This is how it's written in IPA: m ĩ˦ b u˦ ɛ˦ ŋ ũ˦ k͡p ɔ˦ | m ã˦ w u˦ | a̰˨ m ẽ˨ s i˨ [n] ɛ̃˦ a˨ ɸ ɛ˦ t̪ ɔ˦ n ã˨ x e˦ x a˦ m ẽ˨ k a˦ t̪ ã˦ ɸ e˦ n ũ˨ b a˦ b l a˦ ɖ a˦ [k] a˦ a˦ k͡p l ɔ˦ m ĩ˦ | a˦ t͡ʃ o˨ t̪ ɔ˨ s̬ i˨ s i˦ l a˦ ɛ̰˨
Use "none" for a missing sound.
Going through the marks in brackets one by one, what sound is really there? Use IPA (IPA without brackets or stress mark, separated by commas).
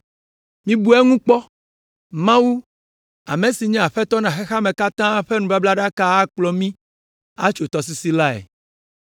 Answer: ɲ, k